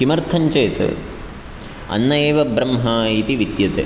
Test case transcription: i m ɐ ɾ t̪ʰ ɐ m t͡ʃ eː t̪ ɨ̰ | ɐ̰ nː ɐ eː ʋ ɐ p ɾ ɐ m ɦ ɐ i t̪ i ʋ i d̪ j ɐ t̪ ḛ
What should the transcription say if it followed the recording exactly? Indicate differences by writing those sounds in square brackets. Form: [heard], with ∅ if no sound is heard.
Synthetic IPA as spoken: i m ɐ ɾ t̪ʰ ɐ [ɲ] t͡ʃ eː t̪ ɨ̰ | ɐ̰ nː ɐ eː ʋ ɐ [b] ɾ ɐ m ɦ ɐ i t̪ i ʋ i d̪ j ɐ t̪ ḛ